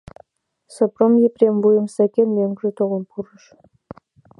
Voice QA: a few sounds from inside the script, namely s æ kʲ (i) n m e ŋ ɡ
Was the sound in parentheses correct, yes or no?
no